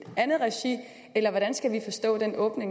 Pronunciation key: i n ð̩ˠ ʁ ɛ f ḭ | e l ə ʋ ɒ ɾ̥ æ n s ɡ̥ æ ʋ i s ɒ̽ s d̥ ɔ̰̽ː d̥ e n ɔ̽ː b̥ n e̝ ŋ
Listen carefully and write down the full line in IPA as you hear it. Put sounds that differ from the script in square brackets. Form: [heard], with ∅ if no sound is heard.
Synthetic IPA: [æ] n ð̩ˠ ʁ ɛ [ɕ] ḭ | e l [ɐ] ʋ ɒ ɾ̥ æ n s ɡ̥ æ ʋ i [f] ɒ̽ s d̥ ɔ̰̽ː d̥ e n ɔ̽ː b̥ n e̝ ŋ